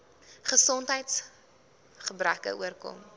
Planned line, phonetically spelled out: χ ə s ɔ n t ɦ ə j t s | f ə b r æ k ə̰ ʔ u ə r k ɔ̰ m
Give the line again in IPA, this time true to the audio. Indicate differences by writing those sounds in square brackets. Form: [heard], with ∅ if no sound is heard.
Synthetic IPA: χ ə s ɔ n t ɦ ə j t s | [χ] ə b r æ k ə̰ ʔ u ə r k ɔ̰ m

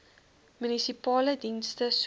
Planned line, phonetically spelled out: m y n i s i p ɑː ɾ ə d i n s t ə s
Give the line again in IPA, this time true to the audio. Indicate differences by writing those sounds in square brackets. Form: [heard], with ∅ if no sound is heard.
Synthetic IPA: m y n i s i p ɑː [l] ə d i n s t ə s

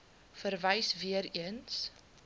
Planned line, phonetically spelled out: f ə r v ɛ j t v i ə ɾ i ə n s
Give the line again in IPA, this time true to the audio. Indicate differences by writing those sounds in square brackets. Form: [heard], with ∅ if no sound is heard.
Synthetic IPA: f ə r v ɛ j [s] v i ə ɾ i ə n s

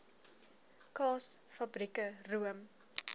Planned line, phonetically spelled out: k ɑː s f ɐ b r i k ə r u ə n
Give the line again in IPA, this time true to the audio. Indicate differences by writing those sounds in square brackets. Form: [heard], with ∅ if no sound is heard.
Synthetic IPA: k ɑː s f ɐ b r i k ə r u ə [m]

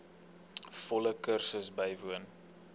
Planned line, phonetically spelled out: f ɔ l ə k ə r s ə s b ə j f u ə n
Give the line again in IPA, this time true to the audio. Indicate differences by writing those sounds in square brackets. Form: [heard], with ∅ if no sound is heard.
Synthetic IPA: f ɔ l ə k ə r s ə s b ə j [v] u ə n

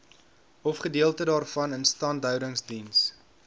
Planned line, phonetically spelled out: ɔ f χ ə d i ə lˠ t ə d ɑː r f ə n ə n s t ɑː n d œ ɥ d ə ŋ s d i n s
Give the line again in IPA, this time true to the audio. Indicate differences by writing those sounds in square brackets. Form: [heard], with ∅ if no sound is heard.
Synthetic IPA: ɔ f χ ə d i ə lˠ t ə d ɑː r f [ɐ] n ə n s t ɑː n d œ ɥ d ə ŋ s d i n s

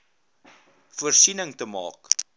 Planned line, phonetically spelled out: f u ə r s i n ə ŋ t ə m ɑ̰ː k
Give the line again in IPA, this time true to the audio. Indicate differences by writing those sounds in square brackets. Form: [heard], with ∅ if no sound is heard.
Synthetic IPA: f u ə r s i n ə ŋ t ə m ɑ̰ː k

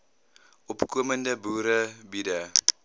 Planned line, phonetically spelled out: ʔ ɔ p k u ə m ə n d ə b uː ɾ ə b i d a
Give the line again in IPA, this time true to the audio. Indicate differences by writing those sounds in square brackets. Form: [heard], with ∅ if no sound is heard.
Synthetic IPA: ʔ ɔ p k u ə m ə n d ə b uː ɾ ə b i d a

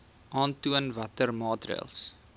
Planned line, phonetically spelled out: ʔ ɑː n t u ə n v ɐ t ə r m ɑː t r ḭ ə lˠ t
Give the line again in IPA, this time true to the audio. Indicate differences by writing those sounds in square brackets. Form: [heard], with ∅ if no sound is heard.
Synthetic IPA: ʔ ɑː n t u ə n v ɐ t ə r m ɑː t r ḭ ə lˠ [s]

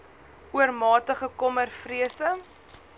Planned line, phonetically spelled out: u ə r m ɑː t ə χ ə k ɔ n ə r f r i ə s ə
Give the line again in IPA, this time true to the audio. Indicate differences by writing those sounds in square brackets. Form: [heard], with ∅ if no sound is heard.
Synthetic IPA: u ə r m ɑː t ə χ ə k ɔ [m] ə r f r i ə s ə

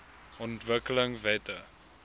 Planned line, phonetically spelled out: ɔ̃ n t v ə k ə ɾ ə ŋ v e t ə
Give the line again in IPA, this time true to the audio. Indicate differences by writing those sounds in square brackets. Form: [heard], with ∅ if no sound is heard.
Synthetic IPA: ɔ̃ n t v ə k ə [l] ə ŋ v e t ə

